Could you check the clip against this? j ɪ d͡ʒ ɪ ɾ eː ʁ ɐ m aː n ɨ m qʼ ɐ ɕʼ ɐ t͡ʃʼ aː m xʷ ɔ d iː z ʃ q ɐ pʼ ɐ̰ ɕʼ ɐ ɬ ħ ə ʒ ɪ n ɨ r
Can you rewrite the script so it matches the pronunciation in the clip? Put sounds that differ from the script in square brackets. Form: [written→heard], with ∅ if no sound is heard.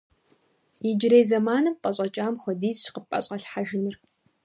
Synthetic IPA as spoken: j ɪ d͡ʒ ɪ ɾ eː [ʁ→z] ɐ m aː n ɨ m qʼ ɐ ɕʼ ɐ t͡ʃʼ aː m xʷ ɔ d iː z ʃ q [ɐ→ə] pʼ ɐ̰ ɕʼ ɐ ɬ ħ [ə→a] ʒ ɪ n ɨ r